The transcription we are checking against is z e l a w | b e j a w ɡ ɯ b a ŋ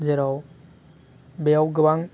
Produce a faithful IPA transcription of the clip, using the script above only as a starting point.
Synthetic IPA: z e ɾ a w | b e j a w ɡ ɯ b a ŋ